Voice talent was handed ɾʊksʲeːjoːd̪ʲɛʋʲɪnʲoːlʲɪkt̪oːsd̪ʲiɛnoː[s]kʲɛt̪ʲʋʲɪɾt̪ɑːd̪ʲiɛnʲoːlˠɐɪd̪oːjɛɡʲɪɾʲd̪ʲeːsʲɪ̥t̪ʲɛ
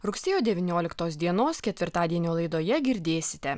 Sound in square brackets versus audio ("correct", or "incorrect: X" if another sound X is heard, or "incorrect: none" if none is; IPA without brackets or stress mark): correct